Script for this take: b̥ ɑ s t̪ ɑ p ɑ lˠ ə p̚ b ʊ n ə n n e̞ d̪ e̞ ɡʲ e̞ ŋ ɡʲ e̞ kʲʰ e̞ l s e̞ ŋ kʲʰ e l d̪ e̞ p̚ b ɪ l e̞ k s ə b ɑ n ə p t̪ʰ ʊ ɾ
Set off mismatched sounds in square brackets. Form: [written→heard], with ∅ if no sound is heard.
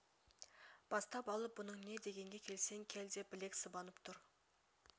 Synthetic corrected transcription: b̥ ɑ s t̪ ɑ p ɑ lˠ ə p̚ b ʊ n ə [n→ɴ] n e̞ d̪ e̞ ɡʲ e̞ ŋ ɡʲ e̞ kʲʰ e̞ l s e̞ ŋ kʲʰ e l d̪ e̞ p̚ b ɪ l e̞ k s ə b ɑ n ə p t̪ʰ ʊ ɾ

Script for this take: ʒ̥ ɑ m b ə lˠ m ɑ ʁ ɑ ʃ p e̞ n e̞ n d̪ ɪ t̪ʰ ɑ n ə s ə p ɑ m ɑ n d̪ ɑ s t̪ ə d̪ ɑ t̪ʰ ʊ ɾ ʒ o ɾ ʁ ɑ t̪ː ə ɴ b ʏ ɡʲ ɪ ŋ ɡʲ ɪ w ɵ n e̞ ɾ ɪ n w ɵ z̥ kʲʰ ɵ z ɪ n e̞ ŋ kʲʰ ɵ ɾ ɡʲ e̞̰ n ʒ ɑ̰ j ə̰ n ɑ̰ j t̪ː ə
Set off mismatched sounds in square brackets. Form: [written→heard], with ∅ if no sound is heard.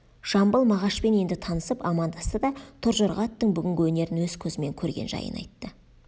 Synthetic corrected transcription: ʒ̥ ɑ m b ə lˠ m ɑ ʁ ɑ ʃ p e̞ n e̞ n d̪ ɪ t̪ʰ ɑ n ə s ə p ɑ m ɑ n d̪ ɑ s t̪ ə d̪ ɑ t̪ʰ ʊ ɾ ʒ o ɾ ʁ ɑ t̪ː ə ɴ b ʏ ɡʲ ɪ ŋ ɡʲ ɪ w ɵ n e̞ ɾ ɪ n w ɵ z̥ kʲʰ ɵ z ɪ [n→m] e̞ ŋ kʲʰ ɵ ɾ ɡʲ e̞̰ n ʒ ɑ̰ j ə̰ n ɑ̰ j t̪ː ə

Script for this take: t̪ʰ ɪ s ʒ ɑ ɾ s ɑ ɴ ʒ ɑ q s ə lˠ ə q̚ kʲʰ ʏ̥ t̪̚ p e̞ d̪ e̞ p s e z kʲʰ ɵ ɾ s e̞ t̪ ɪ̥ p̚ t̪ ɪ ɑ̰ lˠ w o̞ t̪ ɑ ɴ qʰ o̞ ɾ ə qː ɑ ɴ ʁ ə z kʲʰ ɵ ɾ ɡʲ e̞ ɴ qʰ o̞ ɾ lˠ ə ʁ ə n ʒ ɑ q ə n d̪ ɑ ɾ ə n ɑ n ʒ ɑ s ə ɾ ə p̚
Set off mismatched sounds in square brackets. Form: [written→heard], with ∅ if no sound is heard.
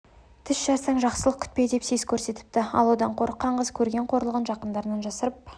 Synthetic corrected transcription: t̪ʰ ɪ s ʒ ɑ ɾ s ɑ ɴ ʒ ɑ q s ə lˠ ə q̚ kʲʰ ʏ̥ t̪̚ p e̞ d̪ e̞ p s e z kʲʰ ɵ ɾ s e̞ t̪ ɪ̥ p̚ t̪ ɪ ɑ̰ lˠ w o̞ [t̪→d̪] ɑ ɴ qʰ o̞ ɾ ə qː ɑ ɴ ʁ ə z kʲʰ ɵ ɾ ɡʲ e̞ ɴ qʰ o̞ ɾ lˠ ə ʁ ə n ʒ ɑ q ə n d̪ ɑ ɾ ə n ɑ n ʒ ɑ s ə ɾ ə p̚

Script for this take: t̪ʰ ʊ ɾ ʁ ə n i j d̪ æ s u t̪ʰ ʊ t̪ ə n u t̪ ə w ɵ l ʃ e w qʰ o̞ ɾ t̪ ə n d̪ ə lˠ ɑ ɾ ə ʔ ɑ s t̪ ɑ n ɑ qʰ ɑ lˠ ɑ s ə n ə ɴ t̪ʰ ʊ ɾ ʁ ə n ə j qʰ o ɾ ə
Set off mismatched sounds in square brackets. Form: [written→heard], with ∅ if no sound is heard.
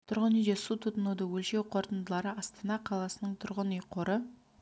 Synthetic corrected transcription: t̪ʰ ʊ ɾ ʁ ə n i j d̪ [æ→e] s u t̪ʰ ʊ t̪ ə n u [t̪→d̪] ə w ɵ l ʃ e w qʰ o̞ ɾ t̪ ə n d̪ ə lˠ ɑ ɾ ə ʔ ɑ s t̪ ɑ n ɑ qʰ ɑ lˠ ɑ s ə n ə ɴ t̪ʰ ʊ ɾ ʁ ə n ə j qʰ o ɾ ə

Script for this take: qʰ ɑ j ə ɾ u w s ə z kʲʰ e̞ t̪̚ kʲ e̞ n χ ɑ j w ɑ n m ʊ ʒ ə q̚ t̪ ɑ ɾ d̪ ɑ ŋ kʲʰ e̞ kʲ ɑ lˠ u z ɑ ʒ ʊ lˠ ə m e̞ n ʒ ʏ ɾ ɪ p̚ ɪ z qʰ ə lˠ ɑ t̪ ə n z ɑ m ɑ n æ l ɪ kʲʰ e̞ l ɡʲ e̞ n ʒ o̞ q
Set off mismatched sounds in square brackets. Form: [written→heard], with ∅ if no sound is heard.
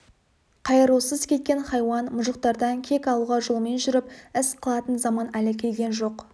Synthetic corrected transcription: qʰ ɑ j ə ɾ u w s ə z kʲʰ e̞ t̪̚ kʲ e̞ n χ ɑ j w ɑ n m ʊ ʒ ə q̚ t̪ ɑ ɾ d̪ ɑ ŋ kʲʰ e̞ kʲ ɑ lˠ u [z→ʁ] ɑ ʒ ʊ lˠ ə m e̞ n ʒ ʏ ɾ ɪ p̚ ɪ [z→s] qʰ ə lˠ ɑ t̪ ə n z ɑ m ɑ n æ l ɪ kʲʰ e̞ l ɡʲ e̞ n ʒ o̞ q

